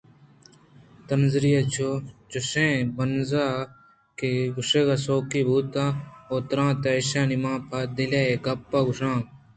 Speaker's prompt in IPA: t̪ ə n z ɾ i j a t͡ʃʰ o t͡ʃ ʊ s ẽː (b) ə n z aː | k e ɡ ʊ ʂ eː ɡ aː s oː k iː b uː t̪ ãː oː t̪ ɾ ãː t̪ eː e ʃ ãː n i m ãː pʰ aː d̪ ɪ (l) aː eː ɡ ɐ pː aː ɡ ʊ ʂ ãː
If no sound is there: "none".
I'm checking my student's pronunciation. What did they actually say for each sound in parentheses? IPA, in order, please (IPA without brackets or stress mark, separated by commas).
b, l